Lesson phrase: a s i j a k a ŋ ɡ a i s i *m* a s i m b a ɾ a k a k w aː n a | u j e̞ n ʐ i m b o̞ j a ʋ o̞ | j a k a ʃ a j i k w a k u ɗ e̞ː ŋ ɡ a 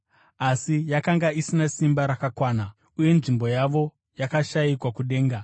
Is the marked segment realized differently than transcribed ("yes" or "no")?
yes